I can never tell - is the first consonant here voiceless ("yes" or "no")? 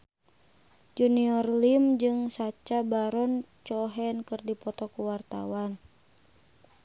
no